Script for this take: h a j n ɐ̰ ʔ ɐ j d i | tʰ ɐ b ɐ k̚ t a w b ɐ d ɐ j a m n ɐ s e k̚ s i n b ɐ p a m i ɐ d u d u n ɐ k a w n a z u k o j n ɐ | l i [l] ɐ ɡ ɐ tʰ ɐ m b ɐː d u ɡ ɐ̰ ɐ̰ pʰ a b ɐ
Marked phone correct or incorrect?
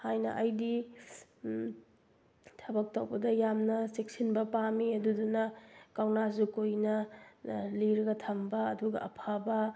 incorrect: ɾ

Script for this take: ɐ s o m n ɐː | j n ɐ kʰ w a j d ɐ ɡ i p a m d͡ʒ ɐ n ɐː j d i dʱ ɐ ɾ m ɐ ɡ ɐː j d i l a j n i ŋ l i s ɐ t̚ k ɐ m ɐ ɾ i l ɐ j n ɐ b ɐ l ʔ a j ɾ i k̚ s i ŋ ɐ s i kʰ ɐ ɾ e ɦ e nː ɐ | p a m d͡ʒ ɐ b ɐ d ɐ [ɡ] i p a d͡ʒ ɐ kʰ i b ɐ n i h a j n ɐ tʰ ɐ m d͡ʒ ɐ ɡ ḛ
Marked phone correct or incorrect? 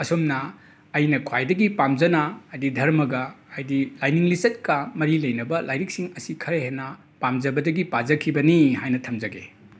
correct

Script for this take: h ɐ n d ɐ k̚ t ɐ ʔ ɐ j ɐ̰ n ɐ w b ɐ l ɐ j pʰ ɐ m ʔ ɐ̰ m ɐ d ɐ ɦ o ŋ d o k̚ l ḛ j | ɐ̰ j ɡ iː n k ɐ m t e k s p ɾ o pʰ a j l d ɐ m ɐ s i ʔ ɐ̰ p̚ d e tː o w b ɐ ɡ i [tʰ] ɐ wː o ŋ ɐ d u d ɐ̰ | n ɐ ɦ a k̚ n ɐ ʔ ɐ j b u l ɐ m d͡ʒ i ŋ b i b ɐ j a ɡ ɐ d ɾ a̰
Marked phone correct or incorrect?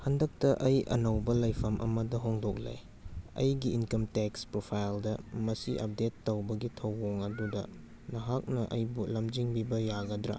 correct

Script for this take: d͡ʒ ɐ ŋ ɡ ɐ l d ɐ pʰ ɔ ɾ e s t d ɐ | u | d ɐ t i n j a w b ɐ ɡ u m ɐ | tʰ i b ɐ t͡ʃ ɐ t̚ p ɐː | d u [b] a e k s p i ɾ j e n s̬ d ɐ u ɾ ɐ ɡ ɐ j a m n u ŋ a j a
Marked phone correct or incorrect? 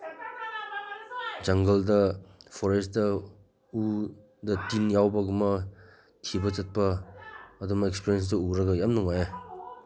incorrect: m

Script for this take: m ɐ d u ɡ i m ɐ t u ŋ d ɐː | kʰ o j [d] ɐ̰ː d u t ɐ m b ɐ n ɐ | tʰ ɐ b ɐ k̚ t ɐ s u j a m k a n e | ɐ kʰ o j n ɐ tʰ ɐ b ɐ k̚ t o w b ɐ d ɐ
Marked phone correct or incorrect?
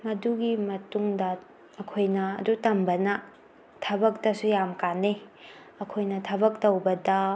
incorrect: n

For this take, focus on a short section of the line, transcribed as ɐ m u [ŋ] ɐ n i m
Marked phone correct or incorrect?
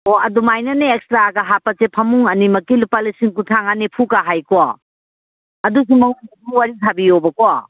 correct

